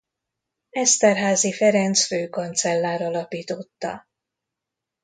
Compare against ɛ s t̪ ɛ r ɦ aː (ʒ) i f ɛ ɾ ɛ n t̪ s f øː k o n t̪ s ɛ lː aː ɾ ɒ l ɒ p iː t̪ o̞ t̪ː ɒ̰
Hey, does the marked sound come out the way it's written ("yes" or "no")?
no